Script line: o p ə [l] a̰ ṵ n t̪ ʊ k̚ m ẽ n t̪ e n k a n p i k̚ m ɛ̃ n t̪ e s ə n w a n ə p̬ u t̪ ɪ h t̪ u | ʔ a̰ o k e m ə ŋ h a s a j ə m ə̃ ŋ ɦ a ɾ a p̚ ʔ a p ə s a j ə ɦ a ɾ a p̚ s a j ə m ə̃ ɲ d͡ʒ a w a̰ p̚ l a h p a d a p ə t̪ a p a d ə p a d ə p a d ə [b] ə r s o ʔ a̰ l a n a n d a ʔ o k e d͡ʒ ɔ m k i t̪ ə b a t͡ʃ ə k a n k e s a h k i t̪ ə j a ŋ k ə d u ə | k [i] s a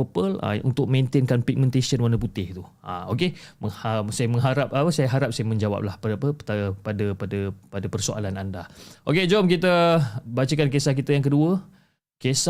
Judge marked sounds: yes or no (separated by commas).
yes, no, no